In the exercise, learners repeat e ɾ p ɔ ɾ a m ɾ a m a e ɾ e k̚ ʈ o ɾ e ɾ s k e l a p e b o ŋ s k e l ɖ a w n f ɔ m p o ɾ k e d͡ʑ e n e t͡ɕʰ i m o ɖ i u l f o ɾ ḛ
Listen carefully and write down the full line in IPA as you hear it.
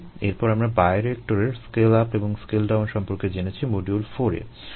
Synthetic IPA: e ɾ p ɔ ɾ a m ɾ a b a e ɾ e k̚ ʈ o ɾ e ɾ s k e l a p e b o ŋ s k e l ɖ a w n ʃ ɔ m p o ɾ k e d͡ʑ e n e t͡ɕʰ i m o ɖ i u l f o ɾ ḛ